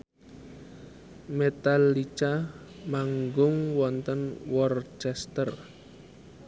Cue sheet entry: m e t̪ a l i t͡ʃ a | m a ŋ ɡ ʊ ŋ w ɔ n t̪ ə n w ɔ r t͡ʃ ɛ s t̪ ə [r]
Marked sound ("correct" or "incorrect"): correct